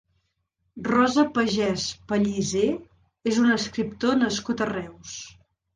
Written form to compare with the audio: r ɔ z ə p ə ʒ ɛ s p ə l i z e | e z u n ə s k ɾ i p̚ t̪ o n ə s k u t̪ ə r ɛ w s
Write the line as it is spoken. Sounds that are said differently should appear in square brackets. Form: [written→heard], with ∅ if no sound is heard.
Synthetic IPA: r ɔ z ə p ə ʒ ɛ s p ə [l→ʎ] i z e | e z u n ə s k ɾ i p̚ t̪ o n ə s k u t̪ ə r ɛ w s